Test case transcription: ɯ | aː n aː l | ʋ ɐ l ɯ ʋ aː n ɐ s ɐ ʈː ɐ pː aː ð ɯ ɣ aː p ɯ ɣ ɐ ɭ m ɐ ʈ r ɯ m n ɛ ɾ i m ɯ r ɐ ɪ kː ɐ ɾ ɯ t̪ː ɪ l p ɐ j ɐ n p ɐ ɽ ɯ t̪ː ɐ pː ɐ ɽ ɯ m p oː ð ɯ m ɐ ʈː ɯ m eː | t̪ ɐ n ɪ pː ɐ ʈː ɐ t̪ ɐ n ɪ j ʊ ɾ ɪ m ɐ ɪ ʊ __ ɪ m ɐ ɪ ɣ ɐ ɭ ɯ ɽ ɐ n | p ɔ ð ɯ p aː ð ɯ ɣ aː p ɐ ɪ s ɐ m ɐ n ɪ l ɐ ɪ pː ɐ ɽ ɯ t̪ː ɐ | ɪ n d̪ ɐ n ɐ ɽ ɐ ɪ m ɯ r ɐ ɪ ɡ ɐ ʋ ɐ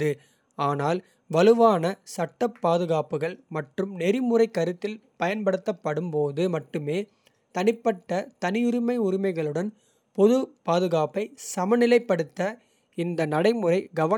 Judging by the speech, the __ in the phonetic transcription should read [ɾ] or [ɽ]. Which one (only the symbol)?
ɾ